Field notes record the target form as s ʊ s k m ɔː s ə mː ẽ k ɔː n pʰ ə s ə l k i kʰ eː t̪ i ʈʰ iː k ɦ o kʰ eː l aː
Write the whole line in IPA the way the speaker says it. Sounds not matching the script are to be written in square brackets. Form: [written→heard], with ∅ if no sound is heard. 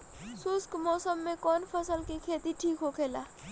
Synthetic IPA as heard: s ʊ s k m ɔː s ə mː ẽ k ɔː n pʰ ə s ə l k i kʰ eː t̪ i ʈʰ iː k ɦ o kʰ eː l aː